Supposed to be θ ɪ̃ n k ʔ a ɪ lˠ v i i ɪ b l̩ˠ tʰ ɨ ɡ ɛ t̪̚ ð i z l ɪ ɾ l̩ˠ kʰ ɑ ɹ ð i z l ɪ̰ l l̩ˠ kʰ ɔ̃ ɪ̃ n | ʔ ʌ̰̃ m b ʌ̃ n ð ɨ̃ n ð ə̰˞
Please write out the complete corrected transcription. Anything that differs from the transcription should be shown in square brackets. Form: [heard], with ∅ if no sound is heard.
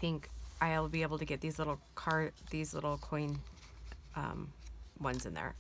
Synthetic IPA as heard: θ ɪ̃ [ŋ] k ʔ a ɪ lˠ [b] i [e] ɪ b l̩ˠ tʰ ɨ ɡ ɛ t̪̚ ð i z l ɪ ɾ l̩ˠ kʰ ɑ ɹ ð i z l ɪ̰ [ɾ] l̩ˠ kʰ ɔ̃ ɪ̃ n | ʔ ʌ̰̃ m [w] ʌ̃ n [z] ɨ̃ n ð ə̰˞